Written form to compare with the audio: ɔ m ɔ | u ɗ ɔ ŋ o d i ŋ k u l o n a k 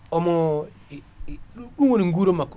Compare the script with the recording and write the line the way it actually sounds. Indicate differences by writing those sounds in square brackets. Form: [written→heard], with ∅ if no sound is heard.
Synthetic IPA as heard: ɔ m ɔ | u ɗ [ɔ→u] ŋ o [d→n] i ŋ [k→ɡ] u [l→ɾ] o [n→m] a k